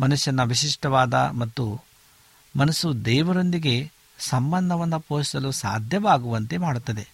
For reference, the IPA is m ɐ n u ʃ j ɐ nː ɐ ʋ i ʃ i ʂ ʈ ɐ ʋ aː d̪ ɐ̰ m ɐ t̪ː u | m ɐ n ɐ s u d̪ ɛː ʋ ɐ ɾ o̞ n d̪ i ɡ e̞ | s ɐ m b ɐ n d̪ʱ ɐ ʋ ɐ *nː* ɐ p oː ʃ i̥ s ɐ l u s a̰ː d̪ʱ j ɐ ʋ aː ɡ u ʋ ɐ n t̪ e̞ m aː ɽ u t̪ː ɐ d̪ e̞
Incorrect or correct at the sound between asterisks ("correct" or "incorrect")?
correct